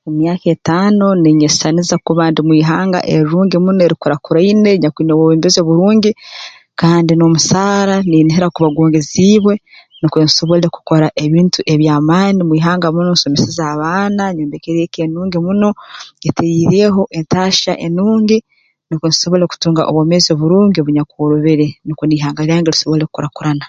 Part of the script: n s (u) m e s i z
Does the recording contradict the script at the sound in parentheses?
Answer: yes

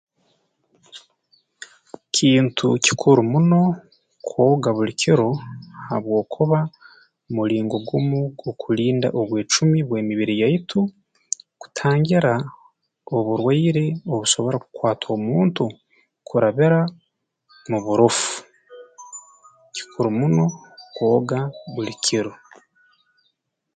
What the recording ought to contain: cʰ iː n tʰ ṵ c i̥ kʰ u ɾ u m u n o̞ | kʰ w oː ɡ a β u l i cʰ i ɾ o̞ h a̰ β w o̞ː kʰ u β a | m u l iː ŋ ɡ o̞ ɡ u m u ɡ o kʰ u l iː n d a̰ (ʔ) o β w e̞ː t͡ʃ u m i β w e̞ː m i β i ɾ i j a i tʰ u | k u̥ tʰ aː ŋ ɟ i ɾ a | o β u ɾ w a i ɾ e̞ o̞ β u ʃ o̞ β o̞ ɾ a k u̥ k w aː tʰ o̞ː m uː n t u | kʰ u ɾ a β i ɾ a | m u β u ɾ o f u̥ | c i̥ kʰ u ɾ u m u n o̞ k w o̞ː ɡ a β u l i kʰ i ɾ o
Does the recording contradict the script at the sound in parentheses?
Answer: no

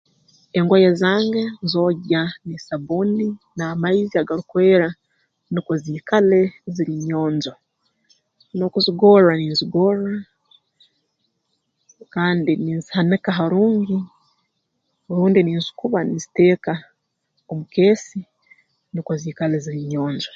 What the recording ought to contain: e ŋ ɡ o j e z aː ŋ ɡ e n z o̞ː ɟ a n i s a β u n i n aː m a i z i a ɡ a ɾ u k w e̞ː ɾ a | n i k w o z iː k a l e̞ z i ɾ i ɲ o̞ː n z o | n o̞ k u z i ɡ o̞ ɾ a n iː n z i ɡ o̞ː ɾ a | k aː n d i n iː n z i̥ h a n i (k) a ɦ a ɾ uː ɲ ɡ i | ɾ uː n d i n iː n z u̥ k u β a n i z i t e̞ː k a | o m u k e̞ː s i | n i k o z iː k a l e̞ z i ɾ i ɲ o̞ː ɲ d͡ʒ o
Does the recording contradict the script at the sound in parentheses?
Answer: no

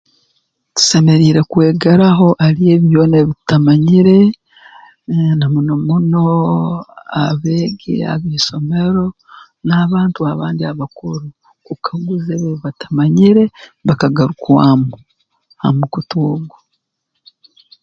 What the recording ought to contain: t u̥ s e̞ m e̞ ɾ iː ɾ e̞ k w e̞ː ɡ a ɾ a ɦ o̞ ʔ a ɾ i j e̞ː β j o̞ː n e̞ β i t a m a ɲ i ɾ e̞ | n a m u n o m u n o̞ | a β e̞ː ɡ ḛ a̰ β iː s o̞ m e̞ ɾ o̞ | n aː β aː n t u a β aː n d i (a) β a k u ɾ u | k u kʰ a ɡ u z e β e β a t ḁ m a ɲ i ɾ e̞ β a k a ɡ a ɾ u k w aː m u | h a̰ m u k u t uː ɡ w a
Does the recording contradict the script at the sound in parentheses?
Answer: no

